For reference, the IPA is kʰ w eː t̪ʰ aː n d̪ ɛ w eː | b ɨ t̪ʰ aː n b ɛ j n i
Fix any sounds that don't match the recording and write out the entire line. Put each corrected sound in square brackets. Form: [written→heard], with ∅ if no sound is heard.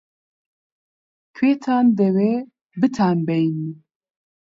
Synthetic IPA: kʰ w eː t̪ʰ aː n d̪ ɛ w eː | b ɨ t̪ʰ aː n b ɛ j n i